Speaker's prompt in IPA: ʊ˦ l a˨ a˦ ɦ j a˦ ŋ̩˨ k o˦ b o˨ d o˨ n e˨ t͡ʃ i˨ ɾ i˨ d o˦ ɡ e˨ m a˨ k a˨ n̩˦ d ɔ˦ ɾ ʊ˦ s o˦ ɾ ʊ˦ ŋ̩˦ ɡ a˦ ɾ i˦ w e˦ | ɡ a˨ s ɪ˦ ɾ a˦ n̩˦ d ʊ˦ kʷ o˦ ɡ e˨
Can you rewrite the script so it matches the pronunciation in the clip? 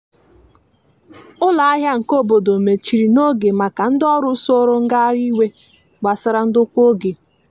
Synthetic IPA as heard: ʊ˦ l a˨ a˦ ɦ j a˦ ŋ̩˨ k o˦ b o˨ d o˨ m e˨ t͡ʃ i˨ ɾ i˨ n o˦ ɡ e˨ m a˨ k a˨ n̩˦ d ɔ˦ ɾ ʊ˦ s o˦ ɾ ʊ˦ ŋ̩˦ ɡ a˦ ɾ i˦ w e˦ | ɡ͡b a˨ s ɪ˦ ɾ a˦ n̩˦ d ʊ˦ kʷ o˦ ɡ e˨

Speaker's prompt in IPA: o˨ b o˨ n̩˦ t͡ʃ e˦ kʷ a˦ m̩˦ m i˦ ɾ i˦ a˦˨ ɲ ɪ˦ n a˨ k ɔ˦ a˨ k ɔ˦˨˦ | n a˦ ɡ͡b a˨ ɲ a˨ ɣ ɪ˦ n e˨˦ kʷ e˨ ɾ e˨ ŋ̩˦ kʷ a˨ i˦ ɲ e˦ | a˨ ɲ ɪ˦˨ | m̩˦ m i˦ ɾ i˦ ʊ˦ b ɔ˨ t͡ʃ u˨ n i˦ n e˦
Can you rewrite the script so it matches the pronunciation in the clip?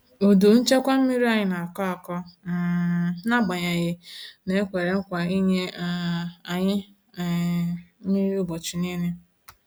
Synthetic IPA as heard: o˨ d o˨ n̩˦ t͡ʃ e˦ kʷ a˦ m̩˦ m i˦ ɾ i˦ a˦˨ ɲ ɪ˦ n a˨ k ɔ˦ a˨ k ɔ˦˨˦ | n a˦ ɡ͡b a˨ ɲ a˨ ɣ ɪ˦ n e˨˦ kʷ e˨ ɾ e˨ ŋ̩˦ kʷ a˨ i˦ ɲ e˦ | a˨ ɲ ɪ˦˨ | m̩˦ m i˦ ɾ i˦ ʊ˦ b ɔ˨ t͡ʃ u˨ n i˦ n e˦

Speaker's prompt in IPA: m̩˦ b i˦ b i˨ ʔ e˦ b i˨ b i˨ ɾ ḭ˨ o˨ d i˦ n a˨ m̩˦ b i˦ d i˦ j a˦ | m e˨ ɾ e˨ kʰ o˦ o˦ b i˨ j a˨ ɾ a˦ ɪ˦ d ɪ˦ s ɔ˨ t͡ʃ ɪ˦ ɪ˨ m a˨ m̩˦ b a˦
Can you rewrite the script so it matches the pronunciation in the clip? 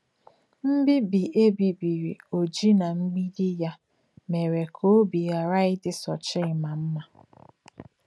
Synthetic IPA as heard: m̩˦ b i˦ b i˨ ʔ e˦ b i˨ b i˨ ɾ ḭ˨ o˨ d͡ʒ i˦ n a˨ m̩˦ ɡ͡b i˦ d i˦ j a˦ | m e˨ ɾ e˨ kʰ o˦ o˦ b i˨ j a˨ ɾ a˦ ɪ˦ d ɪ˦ s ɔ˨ t͡ʃ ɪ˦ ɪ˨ m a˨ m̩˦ m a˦

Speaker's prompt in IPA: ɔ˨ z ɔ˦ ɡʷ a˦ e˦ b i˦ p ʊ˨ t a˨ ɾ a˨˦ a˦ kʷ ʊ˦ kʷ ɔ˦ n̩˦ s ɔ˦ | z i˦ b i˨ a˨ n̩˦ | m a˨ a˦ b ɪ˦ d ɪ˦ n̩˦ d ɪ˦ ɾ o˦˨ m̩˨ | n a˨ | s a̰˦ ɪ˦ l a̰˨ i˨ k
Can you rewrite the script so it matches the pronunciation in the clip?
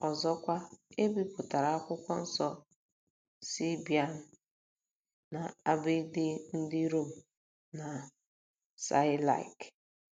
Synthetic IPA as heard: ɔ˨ z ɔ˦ kʷ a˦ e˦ b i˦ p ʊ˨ t a˨ ɾ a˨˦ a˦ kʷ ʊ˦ kʷ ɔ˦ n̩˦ s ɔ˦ | s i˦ b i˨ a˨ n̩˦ | n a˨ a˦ b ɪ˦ d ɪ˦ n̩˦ d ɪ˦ ɾ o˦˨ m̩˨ | n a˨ | s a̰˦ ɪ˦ l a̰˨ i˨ k

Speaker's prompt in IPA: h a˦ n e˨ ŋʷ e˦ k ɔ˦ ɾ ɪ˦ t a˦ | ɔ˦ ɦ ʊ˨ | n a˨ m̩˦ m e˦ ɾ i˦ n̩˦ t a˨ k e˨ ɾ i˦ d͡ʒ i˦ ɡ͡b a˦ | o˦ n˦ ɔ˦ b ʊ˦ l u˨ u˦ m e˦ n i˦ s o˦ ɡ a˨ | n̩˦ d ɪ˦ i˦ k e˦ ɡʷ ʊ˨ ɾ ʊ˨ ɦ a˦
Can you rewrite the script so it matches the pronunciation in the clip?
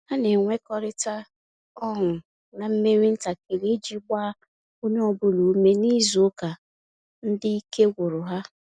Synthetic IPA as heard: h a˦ n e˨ ŋʷ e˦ k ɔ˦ ɾ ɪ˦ t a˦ | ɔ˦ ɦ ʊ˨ | n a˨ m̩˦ m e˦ ɾ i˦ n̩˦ t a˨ k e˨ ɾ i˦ d͡ʒ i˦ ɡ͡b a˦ | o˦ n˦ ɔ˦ b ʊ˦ l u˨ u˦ m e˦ n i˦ z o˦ k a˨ | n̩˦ d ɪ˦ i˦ k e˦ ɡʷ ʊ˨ ɾ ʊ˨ ɦ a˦

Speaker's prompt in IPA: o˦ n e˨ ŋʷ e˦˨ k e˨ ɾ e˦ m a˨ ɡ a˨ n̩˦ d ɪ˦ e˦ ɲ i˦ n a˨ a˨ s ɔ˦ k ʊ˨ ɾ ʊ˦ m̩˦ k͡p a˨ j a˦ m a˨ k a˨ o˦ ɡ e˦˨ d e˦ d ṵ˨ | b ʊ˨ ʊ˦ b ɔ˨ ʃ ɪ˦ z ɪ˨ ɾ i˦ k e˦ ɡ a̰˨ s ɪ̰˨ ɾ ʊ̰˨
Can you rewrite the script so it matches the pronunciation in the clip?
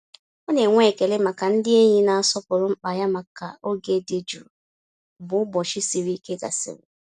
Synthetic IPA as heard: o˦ n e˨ ŋʷ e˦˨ k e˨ l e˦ m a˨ k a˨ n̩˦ d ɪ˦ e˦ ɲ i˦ n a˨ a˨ s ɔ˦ p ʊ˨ ɾ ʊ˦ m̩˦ k͡p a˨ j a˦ m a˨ k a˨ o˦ ɡ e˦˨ d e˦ d͡ʒ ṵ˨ | b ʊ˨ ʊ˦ b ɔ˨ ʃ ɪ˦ s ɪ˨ ɾ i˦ k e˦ ɡ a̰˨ s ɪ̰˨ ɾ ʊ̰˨

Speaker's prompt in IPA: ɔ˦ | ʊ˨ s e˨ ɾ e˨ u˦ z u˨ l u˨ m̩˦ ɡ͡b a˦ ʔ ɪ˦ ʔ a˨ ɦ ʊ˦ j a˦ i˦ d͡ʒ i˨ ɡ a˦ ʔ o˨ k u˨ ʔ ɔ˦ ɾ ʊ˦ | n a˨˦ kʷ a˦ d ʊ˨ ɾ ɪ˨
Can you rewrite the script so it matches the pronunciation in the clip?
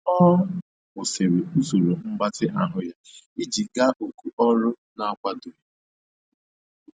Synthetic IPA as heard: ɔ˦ | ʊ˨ s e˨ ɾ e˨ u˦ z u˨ ɾ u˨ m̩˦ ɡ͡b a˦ t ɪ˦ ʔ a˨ ɦ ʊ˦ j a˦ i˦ d͡ʒ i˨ ɡ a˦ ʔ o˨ k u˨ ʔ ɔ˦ ɾ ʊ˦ | n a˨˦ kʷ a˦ d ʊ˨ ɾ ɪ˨

